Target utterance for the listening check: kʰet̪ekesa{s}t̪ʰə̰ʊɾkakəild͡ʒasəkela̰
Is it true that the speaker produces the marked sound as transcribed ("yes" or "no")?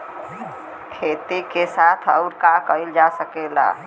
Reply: no